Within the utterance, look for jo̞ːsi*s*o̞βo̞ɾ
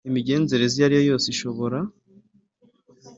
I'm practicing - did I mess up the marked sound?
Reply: yes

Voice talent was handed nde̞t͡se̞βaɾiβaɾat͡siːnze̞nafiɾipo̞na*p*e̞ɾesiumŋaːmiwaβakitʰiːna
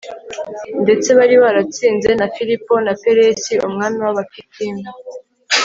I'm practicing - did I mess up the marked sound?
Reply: no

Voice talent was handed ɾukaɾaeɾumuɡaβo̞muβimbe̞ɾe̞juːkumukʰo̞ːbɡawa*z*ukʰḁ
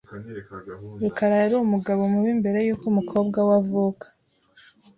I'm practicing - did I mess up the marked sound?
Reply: yes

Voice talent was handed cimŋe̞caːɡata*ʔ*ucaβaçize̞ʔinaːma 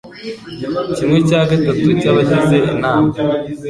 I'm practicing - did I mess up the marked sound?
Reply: yes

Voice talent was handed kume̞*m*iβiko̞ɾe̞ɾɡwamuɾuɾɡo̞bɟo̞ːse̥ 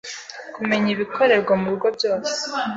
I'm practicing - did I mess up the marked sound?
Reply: yes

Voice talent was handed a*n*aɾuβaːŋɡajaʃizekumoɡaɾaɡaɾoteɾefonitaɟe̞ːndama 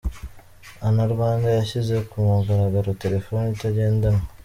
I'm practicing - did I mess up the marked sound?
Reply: no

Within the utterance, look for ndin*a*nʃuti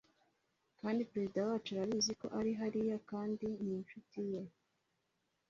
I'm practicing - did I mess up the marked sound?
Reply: yes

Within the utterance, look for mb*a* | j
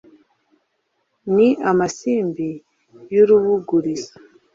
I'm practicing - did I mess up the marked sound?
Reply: yes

